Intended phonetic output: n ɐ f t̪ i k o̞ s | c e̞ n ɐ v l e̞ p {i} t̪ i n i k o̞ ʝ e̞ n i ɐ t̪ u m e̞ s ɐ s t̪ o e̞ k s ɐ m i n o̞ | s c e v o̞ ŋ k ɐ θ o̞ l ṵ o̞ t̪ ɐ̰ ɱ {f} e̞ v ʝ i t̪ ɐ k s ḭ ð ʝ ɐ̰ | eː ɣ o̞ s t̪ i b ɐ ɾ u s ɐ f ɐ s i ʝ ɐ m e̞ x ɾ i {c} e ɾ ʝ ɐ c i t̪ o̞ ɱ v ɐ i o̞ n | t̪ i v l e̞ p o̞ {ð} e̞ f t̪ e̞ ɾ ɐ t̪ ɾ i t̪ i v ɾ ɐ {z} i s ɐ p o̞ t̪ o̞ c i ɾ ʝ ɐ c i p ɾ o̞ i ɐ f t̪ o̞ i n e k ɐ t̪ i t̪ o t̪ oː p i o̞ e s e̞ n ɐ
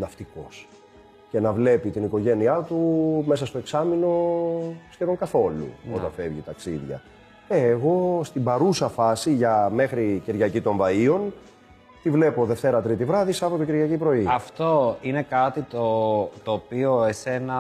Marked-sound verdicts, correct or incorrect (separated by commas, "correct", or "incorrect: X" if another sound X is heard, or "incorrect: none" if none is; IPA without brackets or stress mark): correct, correct, correct, correct, incorrect: ð